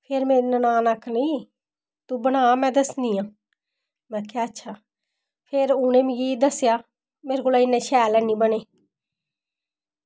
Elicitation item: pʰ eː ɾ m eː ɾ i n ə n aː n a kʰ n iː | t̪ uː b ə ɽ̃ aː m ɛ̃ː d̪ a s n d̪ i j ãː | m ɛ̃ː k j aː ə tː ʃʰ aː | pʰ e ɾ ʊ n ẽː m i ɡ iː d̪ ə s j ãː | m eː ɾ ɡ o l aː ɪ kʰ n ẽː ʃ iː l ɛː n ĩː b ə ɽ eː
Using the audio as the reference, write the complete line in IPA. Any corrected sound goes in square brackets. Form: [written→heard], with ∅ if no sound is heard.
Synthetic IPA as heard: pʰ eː ɾ m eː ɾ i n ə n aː n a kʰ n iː | t̪ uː b ə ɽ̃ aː m ɛ̃ː d̪ [a→ə] s n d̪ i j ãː | m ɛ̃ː k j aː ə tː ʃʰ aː | pʰ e ɾ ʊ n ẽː m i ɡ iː d̪ ə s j [ãː→aː] | m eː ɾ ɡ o l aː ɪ [kʰ→∅] n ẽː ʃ [iː→ɛː] l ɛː n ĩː b ə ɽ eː